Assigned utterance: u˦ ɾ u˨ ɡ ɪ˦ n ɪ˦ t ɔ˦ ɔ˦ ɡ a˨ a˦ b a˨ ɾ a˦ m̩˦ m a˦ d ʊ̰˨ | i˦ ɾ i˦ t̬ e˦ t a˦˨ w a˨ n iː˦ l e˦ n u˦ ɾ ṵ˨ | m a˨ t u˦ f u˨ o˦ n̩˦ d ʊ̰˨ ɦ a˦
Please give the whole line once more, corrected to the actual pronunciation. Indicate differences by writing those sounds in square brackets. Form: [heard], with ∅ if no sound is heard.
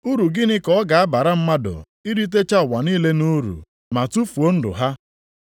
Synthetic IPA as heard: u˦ ɾ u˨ ɡ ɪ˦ n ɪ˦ [k] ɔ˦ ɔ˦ ɡ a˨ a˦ b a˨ ɾ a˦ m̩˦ m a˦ d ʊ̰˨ | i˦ ɾ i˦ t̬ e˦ [t͡ʃ] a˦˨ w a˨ n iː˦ l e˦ n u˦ ɾ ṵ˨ | m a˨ t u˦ f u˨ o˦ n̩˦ d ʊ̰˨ ɦ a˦